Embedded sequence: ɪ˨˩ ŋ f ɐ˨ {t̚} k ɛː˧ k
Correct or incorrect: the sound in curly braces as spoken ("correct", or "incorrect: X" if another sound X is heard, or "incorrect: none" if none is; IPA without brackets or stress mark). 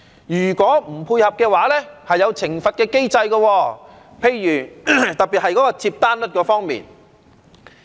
correct